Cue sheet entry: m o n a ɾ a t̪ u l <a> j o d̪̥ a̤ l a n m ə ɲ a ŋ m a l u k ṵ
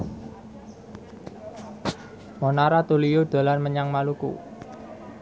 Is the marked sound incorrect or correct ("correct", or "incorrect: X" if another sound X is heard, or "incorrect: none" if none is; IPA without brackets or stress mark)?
incorrect: i